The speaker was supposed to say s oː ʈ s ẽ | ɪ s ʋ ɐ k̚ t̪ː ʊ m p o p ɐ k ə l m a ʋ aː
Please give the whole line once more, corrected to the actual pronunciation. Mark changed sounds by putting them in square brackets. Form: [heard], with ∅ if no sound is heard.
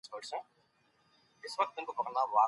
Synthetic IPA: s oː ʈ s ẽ | ɪ s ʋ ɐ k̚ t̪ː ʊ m [k] o p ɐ k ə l [n] a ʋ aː